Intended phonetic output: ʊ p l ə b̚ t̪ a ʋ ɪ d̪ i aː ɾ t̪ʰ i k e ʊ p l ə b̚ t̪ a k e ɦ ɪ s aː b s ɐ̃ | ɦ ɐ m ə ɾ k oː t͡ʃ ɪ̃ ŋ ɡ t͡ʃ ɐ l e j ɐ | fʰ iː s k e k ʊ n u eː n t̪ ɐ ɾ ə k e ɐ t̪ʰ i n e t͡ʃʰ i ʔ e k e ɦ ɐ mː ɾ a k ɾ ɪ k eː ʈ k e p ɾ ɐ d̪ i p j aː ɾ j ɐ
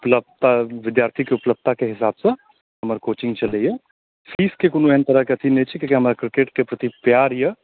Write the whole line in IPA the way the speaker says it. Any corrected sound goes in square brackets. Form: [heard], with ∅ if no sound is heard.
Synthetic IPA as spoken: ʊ p l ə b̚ t̪ a ʋ ɪ d̪ [j] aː ɾ t̪ʰ i k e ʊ p l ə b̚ t̪ a k e ɦ ɪ s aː b s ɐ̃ | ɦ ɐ m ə ɾ k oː t͡ʃ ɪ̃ ŋ ɡ t͡ʃ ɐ l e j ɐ | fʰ iː s k e k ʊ n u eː n t̪ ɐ ɾ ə k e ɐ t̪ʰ i n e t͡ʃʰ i [k] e k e ɦ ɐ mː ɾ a k ɾ ɪ k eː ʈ k e p ɾ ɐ [t̪] i p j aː ɾ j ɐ